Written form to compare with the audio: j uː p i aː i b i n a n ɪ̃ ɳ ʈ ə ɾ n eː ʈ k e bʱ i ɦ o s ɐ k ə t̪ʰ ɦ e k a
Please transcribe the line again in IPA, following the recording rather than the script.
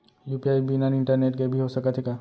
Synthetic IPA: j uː p i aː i b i n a n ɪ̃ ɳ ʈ ə ɾ n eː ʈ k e bʱ i ɦ o s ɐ k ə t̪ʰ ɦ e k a

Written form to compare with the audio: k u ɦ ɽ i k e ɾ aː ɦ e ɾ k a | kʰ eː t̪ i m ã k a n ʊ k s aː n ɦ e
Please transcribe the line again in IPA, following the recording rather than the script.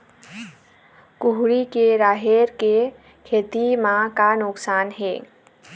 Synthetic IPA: k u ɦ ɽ i k e ɾ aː ɦ e ɾ k e | kʰ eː t̪ i m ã k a n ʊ k s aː n ɦ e

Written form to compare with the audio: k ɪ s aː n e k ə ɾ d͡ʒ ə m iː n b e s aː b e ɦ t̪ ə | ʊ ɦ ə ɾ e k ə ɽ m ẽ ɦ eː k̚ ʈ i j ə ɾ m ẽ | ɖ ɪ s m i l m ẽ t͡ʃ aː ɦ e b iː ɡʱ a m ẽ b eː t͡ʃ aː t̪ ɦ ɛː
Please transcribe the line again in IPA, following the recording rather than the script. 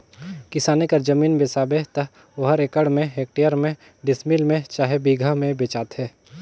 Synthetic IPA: k ɪ s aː n e k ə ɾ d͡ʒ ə m iː n b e s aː b e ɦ t̪ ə | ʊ ɦ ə ɾ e k ə ɽ m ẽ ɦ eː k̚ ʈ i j ə ɾ m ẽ | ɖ ɪ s m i l m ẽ t͡ʃ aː ɦ e b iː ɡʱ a m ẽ b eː t͡ʃ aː t̪ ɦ ɛː

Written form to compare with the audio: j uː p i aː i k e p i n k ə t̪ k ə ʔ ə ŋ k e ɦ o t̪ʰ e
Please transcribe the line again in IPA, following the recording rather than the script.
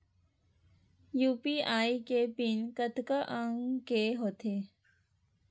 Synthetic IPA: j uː p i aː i k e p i n k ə t̪ k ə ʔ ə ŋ k e ɦ o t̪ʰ e

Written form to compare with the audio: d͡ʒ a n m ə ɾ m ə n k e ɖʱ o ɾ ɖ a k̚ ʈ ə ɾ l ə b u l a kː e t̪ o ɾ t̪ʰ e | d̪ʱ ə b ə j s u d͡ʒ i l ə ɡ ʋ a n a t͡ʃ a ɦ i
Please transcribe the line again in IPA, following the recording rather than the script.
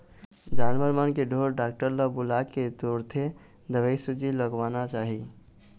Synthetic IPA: d͡ʒ a n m ə ɾ m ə n k e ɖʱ o ɾ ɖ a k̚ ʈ ə ɾ l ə b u l a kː e t̪ o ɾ t̪ʰ e | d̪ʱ ə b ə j s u d͡ʒ i l ə ɡ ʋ a n a t͡ʃ a ɦ i

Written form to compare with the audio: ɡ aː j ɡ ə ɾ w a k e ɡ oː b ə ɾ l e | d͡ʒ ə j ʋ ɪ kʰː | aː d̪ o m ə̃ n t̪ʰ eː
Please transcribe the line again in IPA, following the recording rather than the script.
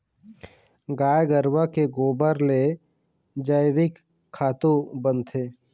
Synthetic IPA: ɡ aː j ɡ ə ɾ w a k e ɡ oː b ə ɾ l e | d͡ʒ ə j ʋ ɪ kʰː | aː t̪ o b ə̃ n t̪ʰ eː

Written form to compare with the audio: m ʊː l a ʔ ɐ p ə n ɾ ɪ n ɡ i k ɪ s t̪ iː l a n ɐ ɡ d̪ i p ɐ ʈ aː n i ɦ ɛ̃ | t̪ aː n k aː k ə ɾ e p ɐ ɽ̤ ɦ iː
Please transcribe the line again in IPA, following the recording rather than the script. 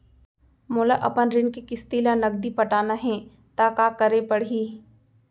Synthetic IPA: m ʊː l a ʔ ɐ p ə n ɾ ɪ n k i k ɪ s t̪ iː l a n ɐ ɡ d̪ i p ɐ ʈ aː n a ɦ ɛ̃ | t̪ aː k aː k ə ɾ e p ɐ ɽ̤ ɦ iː

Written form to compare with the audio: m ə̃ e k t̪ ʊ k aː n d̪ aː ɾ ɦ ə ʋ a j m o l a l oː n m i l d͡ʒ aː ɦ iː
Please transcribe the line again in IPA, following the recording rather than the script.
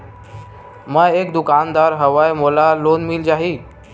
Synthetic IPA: m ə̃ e k d̪ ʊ k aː n d̪ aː ɾ ɦ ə ʋ a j m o l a l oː n m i l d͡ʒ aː ɦ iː

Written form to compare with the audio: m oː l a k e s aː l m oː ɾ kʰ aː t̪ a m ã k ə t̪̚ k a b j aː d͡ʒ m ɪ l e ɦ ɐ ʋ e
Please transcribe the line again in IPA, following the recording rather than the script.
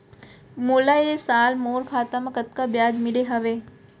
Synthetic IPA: m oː l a e s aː l m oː ɾ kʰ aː t̪ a m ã k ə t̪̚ k a b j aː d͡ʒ m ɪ l e ɦ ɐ ʋ e

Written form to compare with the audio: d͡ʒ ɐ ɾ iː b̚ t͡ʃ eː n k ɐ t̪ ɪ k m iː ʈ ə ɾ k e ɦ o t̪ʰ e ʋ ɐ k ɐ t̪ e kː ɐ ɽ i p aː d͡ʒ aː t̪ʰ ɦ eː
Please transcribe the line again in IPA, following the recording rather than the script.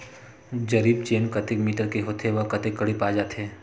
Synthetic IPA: d͡ʒ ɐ ɾ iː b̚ t͡ʃ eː n k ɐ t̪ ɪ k m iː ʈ ə ɾ k e ɦ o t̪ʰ e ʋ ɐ k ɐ t̪ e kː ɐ ɽ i p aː d͡ʒ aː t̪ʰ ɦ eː

